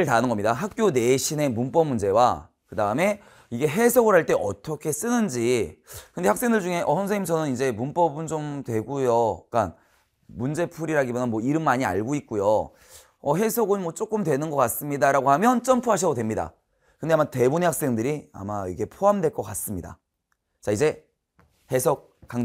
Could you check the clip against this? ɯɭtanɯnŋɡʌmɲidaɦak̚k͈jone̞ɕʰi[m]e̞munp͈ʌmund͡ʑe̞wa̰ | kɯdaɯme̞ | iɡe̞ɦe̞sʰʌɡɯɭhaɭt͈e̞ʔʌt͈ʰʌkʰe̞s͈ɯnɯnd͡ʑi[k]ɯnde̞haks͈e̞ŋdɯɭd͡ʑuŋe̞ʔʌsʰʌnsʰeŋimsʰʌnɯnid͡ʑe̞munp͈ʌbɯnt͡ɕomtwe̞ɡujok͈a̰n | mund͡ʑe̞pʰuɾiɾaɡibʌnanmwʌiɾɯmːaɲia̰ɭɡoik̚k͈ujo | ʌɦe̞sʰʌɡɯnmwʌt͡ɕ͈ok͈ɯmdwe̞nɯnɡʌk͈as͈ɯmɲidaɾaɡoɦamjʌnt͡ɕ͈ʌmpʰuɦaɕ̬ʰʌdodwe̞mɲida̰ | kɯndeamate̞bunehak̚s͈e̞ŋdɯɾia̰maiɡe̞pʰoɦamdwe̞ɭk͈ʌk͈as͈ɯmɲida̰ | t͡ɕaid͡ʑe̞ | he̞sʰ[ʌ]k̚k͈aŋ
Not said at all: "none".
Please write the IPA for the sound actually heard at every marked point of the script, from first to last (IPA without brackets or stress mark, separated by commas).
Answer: n, k, ʌ